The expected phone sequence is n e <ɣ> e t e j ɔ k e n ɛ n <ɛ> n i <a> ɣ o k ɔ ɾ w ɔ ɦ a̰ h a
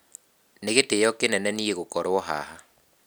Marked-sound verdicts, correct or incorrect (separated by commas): correct, correct, incorrect